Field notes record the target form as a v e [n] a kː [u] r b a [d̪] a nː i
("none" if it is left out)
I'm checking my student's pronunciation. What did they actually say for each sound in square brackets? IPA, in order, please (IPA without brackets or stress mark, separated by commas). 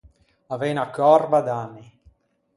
n, ɔ, d̪